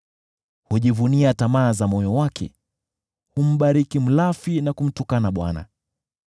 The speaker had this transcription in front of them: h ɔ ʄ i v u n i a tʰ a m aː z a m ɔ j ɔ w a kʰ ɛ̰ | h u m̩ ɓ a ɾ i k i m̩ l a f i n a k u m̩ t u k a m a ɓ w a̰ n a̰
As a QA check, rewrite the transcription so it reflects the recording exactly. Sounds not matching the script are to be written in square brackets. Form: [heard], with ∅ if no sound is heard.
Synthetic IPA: h [u] ʄ i v u n i a [t] a m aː z a m ɔ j ɔ w a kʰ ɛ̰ | h u m̩ ɓ a ɾ i k i m̩ l a f i n a k u m̩ t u k a [n] a ɓ w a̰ n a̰